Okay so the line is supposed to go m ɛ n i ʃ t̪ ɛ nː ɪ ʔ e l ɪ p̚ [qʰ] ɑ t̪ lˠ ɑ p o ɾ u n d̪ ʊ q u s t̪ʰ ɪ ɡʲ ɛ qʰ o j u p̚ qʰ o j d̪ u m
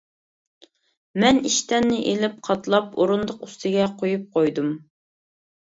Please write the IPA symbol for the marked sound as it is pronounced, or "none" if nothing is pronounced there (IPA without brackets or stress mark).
qʰ